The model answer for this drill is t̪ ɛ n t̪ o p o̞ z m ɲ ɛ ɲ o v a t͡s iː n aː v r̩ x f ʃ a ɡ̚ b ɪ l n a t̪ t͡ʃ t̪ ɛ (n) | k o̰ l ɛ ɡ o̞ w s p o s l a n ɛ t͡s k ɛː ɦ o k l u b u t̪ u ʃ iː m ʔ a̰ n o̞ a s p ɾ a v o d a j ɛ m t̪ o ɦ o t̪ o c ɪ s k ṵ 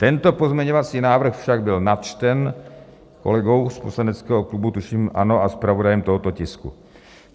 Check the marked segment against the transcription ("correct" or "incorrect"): correct